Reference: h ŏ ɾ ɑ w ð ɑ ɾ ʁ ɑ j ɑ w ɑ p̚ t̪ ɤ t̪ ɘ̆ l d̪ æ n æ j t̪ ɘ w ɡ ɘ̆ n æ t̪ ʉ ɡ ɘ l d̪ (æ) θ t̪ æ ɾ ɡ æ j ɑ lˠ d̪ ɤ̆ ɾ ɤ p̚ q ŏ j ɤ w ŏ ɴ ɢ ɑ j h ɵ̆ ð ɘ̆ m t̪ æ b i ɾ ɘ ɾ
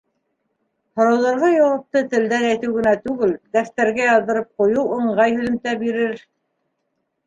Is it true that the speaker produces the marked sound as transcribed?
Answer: yes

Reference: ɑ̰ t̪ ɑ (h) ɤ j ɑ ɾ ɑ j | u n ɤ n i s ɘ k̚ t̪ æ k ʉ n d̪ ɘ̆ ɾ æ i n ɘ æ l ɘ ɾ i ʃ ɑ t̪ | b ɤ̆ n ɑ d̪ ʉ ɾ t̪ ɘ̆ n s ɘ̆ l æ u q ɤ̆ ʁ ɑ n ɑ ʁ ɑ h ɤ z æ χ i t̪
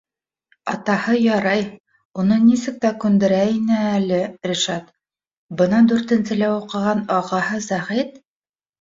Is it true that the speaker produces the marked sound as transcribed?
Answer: yes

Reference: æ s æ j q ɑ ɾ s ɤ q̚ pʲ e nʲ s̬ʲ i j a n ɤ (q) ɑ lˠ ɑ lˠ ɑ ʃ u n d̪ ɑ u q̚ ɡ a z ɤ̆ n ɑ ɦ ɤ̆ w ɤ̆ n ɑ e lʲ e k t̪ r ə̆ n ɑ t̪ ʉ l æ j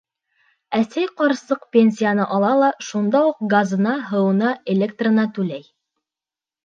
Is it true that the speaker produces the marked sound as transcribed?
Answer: no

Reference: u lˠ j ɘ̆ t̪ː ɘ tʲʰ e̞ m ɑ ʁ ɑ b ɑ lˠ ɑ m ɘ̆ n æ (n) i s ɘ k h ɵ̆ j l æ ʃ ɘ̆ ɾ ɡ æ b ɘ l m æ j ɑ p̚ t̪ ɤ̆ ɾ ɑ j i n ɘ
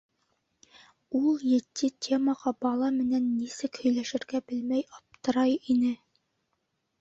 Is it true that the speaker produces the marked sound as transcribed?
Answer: no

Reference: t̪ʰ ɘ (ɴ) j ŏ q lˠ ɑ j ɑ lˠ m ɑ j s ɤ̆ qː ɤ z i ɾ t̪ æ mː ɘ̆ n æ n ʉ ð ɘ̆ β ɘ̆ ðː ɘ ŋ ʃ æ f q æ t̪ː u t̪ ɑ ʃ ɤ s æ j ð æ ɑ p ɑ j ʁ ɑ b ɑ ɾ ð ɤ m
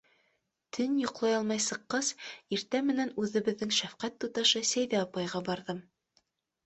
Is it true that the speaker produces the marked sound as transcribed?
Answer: no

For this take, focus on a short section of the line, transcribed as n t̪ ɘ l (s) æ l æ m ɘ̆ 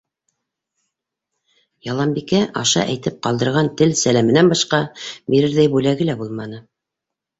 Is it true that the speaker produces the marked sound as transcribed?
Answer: yes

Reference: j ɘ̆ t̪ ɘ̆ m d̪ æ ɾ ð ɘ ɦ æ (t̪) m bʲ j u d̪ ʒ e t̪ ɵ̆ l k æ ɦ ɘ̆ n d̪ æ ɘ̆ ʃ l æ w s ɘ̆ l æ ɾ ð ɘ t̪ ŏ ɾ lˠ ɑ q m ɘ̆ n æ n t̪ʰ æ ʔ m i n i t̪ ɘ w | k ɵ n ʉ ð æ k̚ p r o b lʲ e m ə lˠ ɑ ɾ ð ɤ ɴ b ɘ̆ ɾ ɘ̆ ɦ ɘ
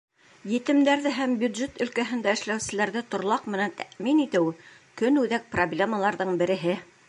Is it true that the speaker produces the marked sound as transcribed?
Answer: no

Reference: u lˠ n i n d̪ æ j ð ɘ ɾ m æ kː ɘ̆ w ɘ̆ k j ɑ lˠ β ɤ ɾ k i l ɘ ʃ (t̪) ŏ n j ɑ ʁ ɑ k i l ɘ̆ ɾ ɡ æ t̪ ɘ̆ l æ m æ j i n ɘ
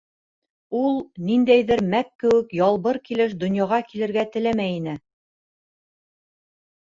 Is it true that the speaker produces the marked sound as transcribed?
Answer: no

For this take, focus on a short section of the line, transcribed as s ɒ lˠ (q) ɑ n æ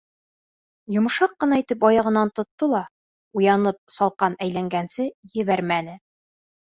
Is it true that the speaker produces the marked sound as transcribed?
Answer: yes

